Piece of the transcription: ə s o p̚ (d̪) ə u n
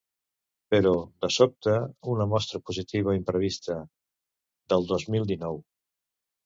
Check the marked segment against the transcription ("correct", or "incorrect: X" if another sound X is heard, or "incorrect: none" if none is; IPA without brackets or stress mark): incorrect: t̪